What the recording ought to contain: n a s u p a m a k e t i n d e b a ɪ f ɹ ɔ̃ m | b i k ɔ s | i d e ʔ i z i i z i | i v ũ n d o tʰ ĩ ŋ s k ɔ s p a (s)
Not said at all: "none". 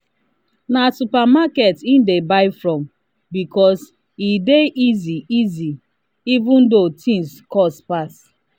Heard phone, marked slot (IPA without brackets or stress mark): s